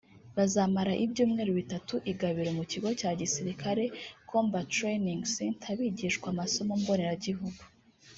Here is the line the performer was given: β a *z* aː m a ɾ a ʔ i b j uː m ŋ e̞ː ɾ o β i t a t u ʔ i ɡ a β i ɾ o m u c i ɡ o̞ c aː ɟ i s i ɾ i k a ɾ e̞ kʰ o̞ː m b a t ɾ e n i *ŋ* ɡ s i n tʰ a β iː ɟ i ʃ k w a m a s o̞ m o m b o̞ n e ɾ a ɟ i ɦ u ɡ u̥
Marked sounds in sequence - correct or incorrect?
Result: correct, correct

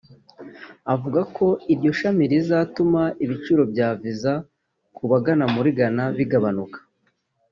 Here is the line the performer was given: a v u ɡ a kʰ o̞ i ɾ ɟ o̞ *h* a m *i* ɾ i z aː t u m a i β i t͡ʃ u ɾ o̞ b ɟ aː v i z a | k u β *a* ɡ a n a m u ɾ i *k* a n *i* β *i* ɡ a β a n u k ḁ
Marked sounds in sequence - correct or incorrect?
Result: incorrect: ʃ, correct, correct, incorrect: ɡ, incorrect: a, correct

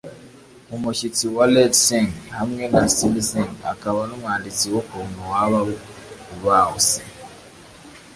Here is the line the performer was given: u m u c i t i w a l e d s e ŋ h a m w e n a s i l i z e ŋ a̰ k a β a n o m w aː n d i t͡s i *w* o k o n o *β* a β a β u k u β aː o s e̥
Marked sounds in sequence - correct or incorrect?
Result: correct, incorrect: w

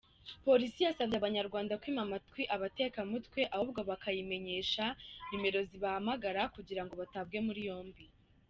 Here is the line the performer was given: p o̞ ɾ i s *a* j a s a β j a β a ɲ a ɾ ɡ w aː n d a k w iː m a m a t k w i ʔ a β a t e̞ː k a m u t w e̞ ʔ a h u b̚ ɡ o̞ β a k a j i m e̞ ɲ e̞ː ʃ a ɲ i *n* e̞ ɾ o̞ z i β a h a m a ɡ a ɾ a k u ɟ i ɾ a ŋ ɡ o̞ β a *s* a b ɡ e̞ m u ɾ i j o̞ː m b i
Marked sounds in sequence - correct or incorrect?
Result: incorrect: i, incorrect: m, incorrect: t

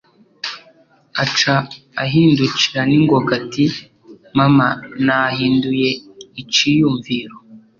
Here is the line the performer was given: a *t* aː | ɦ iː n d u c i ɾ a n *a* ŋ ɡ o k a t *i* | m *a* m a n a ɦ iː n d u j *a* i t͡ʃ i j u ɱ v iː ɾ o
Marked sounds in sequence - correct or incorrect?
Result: incorrect: t͡ʃ, incorrect: i, correct, correct, incorrect: e

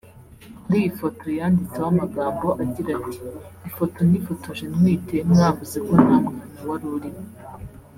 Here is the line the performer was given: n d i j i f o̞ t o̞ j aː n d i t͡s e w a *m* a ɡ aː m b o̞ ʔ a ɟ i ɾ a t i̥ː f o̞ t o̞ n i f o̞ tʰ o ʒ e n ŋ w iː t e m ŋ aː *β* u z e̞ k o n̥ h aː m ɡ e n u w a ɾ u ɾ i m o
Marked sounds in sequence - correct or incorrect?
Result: correct, incorrect: v

